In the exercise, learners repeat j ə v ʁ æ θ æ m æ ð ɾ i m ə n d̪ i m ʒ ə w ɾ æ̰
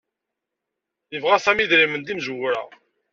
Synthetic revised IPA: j ə v ʁ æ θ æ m i ð ɾ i m ə n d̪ i m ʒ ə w ɾ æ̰